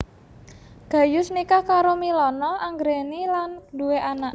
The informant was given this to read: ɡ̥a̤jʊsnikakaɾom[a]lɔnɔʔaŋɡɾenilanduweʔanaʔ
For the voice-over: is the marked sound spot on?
no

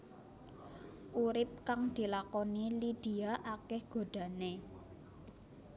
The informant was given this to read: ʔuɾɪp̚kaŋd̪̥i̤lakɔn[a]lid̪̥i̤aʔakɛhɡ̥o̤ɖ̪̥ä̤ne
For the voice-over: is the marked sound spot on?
no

